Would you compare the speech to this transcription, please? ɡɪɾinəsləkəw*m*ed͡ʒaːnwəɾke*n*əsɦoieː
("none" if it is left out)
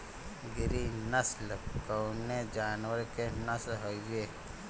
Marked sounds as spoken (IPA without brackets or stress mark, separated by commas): n, n